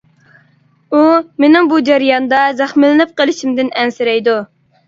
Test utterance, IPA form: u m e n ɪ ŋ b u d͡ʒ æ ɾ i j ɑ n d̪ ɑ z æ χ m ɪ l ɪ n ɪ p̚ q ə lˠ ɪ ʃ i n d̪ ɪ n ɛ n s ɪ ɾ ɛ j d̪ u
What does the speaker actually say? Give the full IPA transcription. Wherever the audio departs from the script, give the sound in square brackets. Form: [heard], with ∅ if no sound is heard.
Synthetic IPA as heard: u m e n ɪ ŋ b u d͡ʒ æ ɾ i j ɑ n d̪ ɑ z æ χ m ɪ l ɪ n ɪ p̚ q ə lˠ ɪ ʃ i [m] d̪ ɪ n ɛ n s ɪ ɾ ɛ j d̪ u